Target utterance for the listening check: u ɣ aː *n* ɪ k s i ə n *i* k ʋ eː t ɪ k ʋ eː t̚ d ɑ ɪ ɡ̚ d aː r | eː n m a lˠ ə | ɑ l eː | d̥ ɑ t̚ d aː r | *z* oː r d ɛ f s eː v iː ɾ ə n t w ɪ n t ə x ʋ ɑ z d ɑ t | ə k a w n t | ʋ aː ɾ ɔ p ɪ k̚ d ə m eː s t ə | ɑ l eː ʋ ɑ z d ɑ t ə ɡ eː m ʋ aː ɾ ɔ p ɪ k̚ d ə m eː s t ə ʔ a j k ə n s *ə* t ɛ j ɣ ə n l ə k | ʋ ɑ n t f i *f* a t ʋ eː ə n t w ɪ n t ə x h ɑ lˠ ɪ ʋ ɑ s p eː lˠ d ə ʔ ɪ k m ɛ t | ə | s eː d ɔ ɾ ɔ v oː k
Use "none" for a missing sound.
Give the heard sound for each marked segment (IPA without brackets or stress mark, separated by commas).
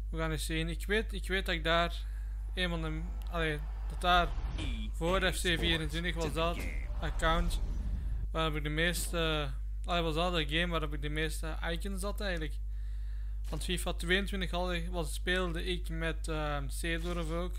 n, ɪ, v, ɑ, f